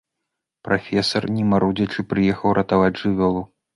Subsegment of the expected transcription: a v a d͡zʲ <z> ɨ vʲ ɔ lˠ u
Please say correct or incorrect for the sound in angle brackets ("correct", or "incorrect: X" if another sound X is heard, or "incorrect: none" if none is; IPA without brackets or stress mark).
incorrect: ʐ